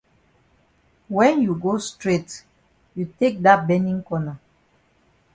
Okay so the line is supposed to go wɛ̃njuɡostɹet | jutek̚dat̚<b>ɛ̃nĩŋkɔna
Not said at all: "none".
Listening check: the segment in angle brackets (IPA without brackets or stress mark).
b